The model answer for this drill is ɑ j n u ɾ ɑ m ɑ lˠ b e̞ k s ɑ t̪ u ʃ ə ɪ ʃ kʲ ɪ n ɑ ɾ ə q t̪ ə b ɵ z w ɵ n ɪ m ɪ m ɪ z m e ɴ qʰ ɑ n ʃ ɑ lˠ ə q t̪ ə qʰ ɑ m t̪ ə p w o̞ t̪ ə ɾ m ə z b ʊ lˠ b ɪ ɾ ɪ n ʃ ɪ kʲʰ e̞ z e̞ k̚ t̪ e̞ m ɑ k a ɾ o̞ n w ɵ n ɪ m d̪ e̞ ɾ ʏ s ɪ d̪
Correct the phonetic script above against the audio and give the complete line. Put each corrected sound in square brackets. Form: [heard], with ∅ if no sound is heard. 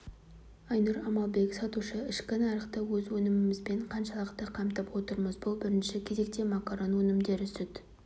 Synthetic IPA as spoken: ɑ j n u ɾ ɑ m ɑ lˠ b e̞ k s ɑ t̪ u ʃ ə ɪ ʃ kʲ ɪ n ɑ ɾ ə q t̪ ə [w] ɵ z w ɵ n ɪ m ɪ m ɪ z [b] e ɴ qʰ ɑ n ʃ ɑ lˠ ə q t̪ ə qʰ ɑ m t̪ ə p w o̞ t̪ ə ɾ m ə z b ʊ lˠ b ɪ ɾ ɪ n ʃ ɪ kʲʰ e̞ z e̞ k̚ t̪ e̞ m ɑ k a ɾ o̞ n w ɵ n ɪ m d̪ e̞ ɾ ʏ s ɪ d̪

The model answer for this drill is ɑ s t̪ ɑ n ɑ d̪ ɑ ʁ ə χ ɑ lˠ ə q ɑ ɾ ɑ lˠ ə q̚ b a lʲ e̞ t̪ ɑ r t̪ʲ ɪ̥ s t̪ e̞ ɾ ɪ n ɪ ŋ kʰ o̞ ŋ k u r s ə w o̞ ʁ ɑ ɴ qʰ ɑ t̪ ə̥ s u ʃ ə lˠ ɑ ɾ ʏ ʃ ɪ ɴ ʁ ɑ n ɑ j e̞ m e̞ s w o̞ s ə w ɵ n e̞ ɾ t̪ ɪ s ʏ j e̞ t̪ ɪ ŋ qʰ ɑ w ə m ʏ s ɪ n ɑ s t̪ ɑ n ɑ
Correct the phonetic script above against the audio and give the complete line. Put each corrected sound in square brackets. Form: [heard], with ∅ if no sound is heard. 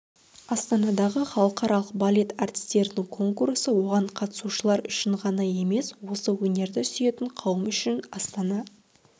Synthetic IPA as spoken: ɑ s t̪ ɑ n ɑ d̪ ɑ ʁ ə χ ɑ lˠ ə q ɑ ɾ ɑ lˠ ə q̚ b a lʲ e̞ t̪ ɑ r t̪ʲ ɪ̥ s t̪ e̞ ɾ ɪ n ɪ ŋ kʰ o̞ ŋ k u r s ə w o̞ ʁ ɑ ɴ qʰ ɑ t̪ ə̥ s u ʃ ə lˠ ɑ ɾ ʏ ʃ ɪ ɴ ʁ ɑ n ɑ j e̞ m e̞ s w o̞ s ə w ɵ n e̞ ɾ [d̪] ɪ s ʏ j e̞ t̪ ɪ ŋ qʰ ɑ w ə m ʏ [ʃ] ɪ n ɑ s t̪ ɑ n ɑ

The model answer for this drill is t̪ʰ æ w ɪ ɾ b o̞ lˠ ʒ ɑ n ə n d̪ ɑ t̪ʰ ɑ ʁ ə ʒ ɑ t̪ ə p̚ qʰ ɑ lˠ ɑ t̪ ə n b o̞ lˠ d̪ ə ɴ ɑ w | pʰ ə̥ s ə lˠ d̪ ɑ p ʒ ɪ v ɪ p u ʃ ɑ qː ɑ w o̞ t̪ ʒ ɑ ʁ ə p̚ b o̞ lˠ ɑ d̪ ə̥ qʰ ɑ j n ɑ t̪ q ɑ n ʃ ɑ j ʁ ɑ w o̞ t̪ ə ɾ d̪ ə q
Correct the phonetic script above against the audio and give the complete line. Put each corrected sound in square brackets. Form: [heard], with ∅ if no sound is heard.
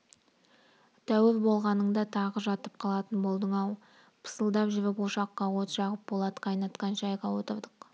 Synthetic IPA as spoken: t̪ʰ æ w ɪ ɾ b o̞ lˠ [ʁ] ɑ n ə [ɴ] d̪ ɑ t̪ʰ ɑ ʁ ə ʒ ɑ t̪ ə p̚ qʰ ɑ lˠ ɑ t̪ ə n b o̞ lˠ d̪ ə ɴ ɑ w | pʰ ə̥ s ə lˠ d̪ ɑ p ʒ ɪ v ɪ p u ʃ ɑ qː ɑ w o̞ t̪ ʒ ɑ ʁ ə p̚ b o̞ lˠ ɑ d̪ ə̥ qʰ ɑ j n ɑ t̪ q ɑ n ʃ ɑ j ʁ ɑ w o̞ t̪ ə ɾ d̪ ə q

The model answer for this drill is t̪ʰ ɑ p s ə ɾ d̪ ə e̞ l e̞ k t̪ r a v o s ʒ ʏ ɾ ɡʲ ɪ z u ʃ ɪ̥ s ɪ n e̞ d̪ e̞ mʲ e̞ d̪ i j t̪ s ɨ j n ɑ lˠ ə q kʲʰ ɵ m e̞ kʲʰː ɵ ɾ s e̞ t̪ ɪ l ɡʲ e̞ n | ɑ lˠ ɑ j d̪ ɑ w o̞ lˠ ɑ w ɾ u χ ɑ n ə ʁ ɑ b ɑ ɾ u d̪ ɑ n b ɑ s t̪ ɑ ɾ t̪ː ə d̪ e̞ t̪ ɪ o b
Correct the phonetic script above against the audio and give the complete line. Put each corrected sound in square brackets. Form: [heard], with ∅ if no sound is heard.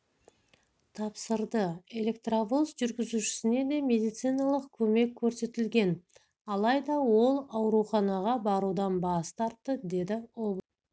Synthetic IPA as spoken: t̪ʰ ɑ p s ə ɾ d̪ ə e̞ l e̞ k t̪ r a v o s ʒ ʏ ɾ ɡʲ ɪ z u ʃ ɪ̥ s ɪ n e̞ d̪ e̞ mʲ e̞ d̪ i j t̪ s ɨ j n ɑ lˠ ə q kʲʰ ɵ m e̞ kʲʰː ɵ ɾ s e̞ t̪ ɪ l ɡʲ e̞ n | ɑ lˠ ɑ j d̪ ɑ w o̞ lˠ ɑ w ɾ u χ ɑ n [ɑ] ʁ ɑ b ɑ ɾ u d̪ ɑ n b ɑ s t̪ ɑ ɾ t̪ː ə d̪ e̞ [d̪] ɪ o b

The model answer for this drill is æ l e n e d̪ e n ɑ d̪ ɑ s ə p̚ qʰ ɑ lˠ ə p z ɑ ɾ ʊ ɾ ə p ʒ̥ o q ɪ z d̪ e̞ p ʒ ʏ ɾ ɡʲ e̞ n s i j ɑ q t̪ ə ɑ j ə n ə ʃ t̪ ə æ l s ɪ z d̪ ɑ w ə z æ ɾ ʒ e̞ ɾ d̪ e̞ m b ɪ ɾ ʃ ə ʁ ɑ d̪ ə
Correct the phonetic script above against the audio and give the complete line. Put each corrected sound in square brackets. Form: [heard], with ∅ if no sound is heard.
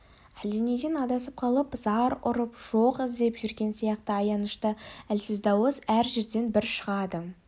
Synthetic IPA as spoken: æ l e n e d̪ e n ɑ d̪ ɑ s ə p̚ qʰ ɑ lˠ ə p z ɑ ɾ ʊ ɾ ə p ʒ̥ o q ɪ z d̪ e̞ p ʒ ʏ ɾ ɡʲ e̞ n s i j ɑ q t̪ ə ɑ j [ɑ] n ə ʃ t̪ ə æ l s ɪ z d̪ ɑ w ə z æ ɾ ʒ e̞ ɾ d̪ e̞ [n] b ɪ ɾ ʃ ə ʁ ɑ d̪ ə

